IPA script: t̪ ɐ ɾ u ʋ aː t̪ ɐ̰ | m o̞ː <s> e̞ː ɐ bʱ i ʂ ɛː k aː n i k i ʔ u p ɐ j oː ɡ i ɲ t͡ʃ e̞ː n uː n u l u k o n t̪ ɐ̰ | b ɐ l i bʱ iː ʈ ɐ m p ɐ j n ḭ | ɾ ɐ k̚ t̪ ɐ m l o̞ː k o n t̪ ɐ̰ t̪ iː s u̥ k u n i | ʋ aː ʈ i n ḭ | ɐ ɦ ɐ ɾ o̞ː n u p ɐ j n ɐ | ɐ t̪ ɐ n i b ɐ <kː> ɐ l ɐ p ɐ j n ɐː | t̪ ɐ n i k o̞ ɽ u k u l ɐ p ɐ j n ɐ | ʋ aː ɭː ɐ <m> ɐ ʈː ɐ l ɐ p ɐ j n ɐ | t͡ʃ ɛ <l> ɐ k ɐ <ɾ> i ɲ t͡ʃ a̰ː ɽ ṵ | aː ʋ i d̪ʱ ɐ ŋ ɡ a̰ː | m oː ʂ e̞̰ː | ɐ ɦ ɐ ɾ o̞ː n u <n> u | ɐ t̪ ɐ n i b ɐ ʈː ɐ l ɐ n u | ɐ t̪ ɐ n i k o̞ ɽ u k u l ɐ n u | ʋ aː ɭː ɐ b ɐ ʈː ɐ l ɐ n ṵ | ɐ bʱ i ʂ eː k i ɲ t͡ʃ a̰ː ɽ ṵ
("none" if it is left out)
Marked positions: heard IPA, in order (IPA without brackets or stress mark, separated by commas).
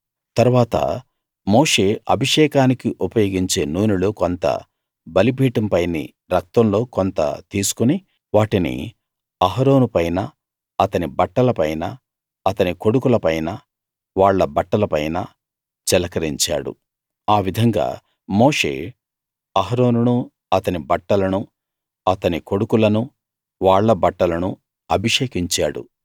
ʂ, ʈː, b, l, ɾ, n